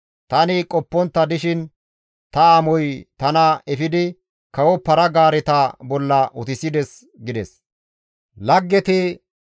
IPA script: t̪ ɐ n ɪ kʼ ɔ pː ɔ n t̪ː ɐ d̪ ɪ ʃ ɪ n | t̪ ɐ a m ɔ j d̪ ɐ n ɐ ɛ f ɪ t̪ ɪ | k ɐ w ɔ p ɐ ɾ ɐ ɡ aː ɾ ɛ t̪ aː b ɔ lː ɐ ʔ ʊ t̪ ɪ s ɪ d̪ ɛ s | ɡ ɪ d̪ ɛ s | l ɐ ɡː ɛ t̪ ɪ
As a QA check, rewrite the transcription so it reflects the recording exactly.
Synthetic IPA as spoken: t̪ ɐ n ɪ kʼ ɔ pː ɔ n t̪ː ɐ d̪ ɪ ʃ ɪ n | t̪ ɐ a m ɔ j t̪ ɐ n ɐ ɛ f ɪ d̪ ɪ | k ɐ w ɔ p ɐ ɾ ɐ ɡ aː ɾ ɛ t̪ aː b ɔ lː ɐ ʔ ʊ t̪ ɪ s ɪ d̪ ɛ s | ɡ ɪ d̪ ɛ s | l ɐ ɡː ɛ t̪ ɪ

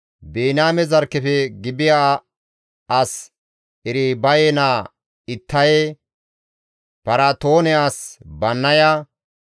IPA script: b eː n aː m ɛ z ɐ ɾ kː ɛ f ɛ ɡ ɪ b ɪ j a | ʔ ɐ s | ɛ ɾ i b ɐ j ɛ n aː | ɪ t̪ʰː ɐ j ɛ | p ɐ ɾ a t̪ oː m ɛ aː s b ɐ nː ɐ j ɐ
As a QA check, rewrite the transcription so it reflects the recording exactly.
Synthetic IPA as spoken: b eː n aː m ɛ z ɐ ɾ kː ɛ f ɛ ɡ ɪ b ɪ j a | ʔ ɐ s | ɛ ɾ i b ɐ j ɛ n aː | ɪ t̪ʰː ɐ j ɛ | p ɐ ɾ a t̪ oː n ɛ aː s b ɐ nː ɐ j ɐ

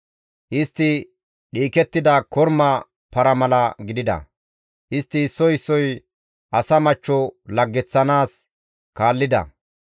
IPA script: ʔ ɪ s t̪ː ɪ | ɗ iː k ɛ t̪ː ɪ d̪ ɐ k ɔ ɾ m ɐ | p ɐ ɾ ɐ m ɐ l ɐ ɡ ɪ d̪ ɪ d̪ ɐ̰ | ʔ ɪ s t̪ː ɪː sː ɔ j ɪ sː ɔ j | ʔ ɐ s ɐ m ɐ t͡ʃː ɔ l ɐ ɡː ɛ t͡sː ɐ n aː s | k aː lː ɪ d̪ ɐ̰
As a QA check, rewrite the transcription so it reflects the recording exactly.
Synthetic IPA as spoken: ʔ ɪ s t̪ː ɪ | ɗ iː k ɛ t̪ː ɪ d̪ ɐ k ɔ ɾ m ɐ | p ɐ ɾ ɐ m ɐ l ɐ ɡ ɪ d̪ ɪ d̪ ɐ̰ | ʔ ɪ s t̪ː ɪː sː ɔ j ɪ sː ɔ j | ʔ ɐ s ɐ m ɐ t͡ʃː ɔ l ɐ ɡː ɛ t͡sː ɐ n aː s | k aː lː ɪ d̪ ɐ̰

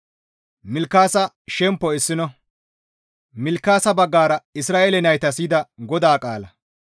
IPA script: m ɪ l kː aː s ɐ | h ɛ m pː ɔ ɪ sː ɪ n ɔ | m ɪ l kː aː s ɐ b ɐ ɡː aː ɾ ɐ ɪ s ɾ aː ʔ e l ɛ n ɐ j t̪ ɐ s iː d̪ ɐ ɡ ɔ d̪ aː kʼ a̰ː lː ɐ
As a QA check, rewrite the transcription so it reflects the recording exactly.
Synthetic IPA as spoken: m ɪ l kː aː s ɐ | ʃ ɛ m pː ɔ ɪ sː ɪ n ɔ | m ɪ l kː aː s ɐ b ɐ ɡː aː ɾ ɐ ɪ s ɾ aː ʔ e l ɛ n ɐ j t̪ ɐ s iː d̪ ɐ ɡ ɔ d̪ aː kʼ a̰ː l ɐ

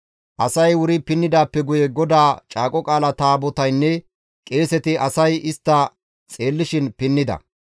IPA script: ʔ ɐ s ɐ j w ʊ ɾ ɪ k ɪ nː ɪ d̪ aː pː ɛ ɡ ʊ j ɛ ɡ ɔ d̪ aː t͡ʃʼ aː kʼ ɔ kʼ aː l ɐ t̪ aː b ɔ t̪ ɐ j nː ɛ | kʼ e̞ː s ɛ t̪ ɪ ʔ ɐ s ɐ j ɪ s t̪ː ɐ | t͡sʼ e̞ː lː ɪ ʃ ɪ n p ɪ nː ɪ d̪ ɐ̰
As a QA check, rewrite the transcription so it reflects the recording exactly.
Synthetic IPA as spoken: ʔ ɐ s ɐ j w ʊ ɾ ɪ p ɪ nː ɪ d̪ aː pː ɛ ɡ ʊ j ɛ ɡ ɔ d̪ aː t͡ʃʼ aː kʼ ɔ kʼ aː l ɐ t̪ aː b ɔ t̪ ɐ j nː ɛ | kʼ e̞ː s ɛ t̪ ɪ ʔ ɐ s ɐ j ɪ s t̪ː ɐ | t͡sʼ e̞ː lː ɪ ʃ ɪ n p ɪ nː ɪ d̪ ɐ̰

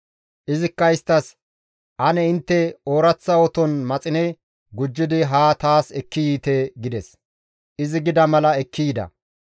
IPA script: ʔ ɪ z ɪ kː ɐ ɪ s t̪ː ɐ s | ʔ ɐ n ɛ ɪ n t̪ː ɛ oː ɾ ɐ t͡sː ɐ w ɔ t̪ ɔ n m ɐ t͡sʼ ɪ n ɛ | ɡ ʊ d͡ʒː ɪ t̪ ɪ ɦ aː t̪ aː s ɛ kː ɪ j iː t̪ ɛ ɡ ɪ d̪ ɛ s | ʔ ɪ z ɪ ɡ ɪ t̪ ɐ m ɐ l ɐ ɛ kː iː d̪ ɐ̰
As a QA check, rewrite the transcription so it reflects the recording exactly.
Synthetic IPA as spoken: ʔ ɪ z ɪ kː ɐ ɪ s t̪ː ɐ s | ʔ ɐ n ɛ ɪ n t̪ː ɛ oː ɾ ɐ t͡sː ɐ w ɔ t̪ ɔ n m ɐ t͡sʼ ɪ n ɛ | ɡ ʊ d͡ʒː ɪ d̪ ɪ ɦ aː t̪ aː s ɛ kː ɪ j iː t̪ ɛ ɡ ɪ d̪ ɛ s | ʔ ɪ z ɪ ɡ ɪ d̪ ɐ m ɐ l ɐ ɛ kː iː d̪ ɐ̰

